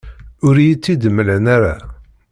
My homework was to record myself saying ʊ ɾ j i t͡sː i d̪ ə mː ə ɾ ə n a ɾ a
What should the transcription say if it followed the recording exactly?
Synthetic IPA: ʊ ɾ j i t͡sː i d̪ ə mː ə l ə n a ɾ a